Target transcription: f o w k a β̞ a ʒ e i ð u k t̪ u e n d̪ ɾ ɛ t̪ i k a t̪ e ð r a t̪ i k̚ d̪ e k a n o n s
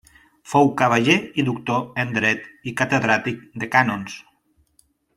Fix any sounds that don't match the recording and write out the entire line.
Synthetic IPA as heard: f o w k a β̞ a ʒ e i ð u k t̪ o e n d̪ ɾ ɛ t̪ i k a t̪ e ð ɾ a t̪ i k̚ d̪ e k a n o n s